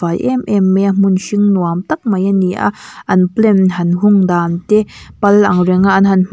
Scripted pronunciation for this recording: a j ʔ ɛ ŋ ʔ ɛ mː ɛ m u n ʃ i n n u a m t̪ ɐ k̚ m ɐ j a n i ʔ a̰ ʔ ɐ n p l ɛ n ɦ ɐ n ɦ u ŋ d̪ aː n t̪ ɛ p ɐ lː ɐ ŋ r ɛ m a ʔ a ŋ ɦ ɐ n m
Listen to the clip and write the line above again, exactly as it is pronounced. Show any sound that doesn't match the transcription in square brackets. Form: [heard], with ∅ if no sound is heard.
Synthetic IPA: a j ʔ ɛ [m] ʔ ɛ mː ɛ m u n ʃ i [ŋ] n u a m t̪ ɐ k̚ m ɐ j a n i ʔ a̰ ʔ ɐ n p l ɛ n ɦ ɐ n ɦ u ŋ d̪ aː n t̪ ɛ p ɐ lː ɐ ŋ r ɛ [ŋ] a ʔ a [n] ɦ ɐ n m